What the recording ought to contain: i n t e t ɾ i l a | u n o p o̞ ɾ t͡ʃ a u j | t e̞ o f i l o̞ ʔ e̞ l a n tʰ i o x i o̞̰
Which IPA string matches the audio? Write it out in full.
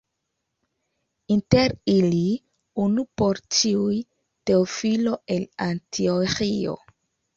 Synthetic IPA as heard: i n t e ɾ i l i | u n u p o̞ ɾ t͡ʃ i u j | t e̞ o f i l o̞ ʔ e̞ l a n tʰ i o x i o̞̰